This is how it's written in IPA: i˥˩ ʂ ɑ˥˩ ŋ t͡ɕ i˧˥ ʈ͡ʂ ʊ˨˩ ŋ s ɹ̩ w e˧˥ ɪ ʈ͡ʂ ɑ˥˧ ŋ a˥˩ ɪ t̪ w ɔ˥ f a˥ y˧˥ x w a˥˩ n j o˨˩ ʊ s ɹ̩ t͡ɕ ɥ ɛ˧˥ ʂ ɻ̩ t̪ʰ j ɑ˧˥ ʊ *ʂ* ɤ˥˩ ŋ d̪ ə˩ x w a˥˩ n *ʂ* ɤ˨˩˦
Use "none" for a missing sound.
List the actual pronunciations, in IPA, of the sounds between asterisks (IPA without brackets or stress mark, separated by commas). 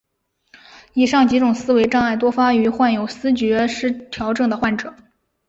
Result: ʈ͡ʂ, ʈ͡ʂ